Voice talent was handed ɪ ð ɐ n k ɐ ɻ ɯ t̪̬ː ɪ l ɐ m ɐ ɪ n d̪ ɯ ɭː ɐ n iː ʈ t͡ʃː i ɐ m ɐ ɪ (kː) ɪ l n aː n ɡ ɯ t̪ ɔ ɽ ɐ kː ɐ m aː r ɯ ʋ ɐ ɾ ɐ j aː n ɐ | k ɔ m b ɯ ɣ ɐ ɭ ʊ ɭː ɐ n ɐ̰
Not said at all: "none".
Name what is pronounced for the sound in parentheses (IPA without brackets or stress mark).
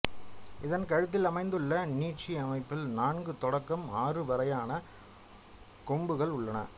pː